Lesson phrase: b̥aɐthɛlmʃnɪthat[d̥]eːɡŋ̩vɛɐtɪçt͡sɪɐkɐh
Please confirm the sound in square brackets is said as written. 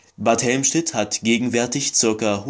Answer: no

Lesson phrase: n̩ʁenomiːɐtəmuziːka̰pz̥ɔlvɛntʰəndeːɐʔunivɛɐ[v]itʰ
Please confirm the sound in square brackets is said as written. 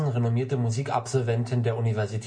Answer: no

